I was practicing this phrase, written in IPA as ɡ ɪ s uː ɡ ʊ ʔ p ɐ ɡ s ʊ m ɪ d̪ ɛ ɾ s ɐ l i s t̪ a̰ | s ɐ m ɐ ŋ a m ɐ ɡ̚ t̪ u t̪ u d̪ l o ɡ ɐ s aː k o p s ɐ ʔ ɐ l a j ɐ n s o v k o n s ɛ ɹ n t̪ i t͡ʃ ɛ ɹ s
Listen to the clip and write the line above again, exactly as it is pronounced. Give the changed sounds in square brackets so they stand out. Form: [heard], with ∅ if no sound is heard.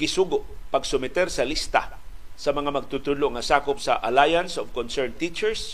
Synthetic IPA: ɡ ɪ s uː ɡ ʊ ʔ p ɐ ɡ s ʊ m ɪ [t̪] ɛ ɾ s ɐ l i s t̪ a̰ | s ɐ m ɐ ŋ a m ɐ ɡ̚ t̪ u t̪ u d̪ l o [ŋ] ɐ s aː k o p s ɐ ʔ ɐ l a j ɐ n s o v k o n s ɛ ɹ n t̪ i t͡ʃ ɛ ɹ s